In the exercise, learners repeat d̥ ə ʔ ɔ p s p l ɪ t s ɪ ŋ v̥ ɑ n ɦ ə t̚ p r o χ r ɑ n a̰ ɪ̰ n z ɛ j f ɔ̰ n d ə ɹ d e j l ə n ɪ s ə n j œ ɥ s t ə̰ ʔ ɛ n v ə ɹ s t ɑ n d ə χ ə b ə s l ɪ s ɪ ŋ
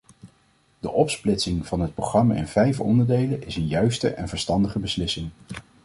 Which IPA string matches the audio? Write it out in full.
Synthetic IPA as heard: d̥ ə ʔ ɔ p s p l ɪ t s ɪ ŋ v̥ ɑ n ɦ ə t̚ p r o χ r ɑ m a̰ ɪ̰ n v ɛ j f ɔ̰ n d ə ɹ d e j l ə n ɪ s ə n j œ ɥ s t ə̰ ʔ ɛ n v ə ɹ s t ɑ n d ə χ ə b ə s l ɪ s ɪ ŋ